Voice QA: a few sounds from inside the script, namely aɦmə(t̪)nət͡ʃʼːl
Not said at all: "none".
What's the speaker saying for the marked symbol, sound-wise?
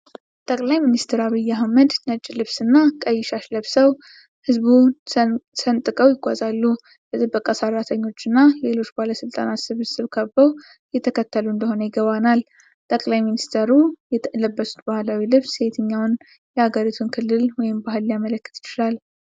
d̪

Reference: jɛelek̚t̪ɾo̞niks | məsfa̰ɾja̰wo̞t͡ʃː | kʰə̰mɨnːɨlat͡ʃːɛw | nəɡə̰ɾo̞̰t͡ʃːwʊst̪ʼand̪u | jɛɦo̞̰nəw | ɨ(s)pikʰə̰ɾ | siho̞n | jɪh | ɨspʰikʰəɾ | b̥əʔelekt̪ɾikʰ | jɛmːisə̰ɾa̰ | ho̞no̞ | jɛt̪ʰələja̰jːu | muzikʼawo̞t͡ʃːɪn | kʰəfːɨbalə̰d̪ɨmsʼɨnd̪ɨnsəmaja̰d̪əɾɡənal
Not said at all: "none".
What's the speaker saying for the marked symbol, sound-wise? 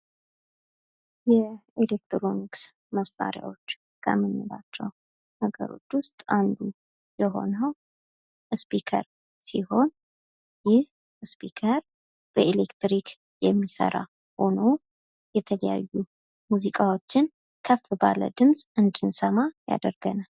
s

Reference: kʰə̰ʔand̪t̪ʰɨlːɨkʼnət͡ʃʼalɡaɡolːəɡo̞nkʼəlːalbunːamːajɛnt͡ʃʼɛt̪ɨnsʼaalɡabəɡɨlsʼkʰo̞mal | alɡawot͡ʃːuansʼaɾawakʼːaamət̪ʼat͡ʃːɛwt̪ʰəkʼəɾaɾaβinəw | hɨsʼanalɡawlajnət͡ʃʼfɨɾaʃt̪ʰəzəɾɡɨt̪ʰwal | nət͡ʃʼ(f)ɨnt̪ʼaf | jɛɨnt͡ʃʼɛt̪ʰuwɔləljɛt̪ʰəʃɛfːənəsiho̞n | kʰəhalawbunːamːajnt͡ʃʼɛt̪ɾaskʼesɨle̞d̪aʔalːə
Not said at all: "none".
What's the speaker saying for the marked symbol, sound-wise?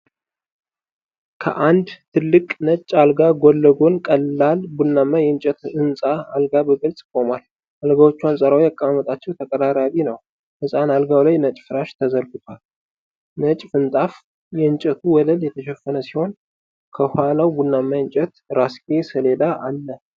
f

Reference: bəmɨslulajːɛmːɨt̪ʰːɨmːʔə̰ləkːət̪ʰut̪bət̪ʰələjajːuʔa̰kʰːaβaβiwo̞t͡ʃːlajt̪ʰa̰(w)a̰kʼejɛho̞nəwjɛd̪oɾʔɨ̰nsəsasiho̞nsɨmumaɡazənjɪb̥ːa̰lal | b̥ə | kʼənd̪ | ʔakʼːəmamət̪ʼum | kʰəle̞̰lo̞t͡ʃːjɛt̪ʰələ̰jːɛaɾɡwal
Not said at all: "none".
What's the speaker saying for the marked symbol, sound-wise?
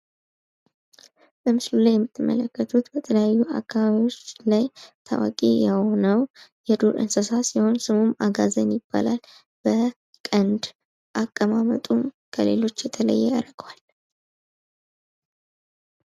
w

